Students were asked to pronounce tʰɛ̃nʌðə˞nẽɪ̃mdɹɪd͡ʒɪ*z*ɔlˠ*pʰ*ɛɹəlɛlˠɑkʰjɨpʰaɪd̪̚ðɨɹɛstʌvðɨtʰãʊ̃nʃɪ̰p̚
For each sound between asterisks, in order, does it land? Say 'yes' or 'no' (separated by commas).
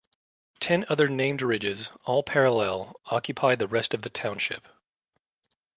yes, yes